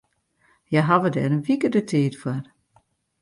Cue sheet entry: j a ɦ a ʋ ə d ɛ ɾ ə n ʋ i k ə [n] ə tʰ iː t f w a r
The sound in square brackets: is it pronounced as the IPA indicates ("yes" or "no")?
no